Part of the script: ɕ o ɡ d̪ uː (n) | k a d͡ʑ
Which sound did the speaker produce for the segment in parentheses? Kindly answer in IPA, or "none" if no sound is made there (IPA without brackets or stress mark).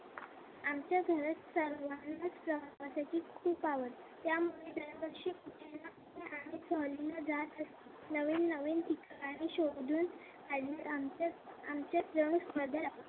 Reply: n